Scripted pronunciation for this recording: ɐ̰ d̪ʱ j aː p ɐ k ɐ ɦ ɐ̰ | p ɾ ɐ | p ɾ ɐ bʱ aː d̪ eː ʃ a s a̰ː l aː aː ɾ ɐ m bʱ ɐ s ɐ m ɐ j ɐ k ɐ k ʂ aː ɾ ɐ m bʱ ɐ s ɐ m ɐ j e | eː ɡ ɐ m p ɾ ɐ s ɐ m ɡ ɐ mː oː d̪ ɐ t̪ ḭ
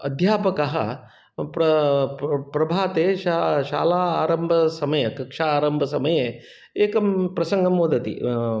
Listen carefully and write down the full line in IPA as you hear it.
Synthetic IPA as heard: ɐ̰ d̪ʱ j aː p ɐ k ɐ ɦ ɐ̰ | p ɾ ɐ | p ɾ ɐ bʱ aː t̪ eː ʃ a ʃ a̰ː l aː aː ɾ ɐ m bʱ ɐ s ɐ m ɐ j ɐ k ɐ k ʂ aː ɾ ɐ m bʱ ɐ s ɐ m ɐ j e | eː k ɐ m p ɾ ɐ s ɐ ŋ ɡ ɐ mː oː d̪ ɐ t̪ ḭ